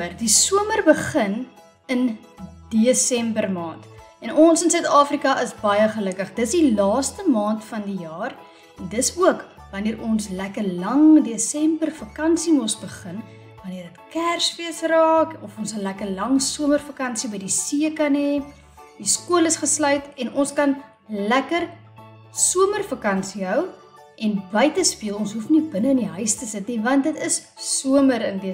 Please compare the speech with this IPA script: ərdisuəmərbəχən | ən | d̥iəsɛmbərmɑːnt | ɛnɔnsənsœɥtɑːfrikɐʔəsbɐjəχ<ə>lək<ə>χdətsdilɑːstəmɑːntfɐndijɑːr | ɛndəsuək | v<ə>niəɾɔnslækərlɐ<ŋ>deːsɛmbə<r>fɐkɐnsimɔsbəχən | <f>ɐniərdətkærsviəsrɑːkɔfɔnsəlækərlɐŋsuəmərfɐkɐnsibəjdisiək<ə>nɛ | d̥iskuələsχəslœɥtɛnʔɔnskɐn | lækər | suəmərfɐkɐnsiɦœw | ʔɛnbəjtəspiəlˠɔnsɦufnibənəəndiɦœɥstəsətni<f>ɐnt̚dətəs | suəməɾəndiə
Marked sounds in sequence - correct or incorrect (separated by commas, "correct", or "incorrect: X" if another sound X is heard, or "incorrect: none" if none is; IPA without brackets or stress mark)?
correct, correct, incorrect: ɐ, correct, correct, incorrect: v, incorrect: ɐ, incorrect: v